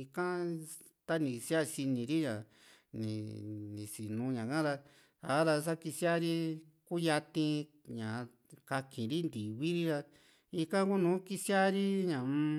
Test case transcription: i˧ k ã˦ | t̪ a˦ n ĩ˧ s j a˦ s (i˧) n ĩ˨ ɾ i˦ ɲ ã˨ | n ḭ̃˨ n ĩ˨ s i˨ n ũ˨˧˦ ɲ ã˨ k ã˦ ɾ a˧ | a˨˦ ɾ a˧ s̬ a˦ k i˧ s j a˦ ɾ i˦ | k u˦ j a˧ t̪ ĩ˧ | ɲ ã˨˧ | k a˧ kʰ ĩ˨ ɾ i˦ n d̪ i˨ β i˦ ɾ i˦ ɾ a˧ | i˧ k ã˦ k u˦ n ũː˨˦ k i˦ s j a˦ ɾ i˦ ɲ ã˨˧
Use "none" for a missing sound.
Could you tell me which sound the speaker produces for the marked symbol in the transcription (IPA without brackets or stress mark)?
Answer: i˧